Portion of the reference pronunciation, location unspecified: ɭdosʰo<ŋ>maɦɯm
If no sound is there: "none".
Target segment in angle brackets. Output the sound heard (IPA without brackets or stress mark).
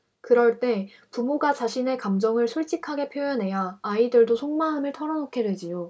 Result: ŋ